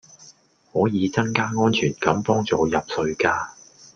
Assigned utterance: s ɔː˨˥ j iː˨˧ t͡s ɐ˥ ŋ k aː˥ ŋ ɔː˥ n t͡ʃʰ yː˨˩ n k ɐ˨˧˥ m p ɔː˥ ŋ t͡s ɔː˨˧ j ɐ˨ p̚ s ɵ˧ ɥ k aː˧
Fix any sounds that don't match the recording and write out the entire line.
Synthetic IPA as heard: h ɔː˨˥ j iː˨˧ t͡s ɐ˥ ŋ k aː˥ ŋ ɔː˥ n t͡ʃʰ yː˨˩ n k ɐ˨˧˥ m p ɔː˥ ŋ t͡s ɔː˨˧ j ɐ˨ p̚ s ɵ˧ ɥ k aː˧